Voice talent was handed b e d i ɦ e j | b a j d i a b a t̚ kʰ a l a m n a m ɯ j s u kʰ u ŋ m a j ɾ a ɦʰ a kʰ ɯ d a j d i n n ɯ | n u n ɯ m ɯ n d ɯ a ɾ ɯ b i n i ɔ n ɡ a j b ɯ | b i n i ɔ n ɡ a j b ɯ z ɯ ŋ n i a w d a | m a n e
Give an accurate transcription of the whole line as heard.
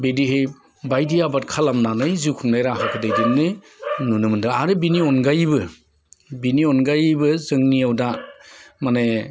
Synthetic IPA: b e d i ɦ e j | b a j d i a b a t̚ kʰ a l a m n a n ɯ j z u kʰ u ŋ n a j ɾ a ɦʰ a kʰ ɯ d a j d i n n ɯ | n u n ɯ m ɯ n d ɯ a ɾ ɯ b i n i ɔ n ɡ a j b ɯ | b i n i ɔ n ɡ a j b ɯ z ɯ ŋ n i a w d a | m a n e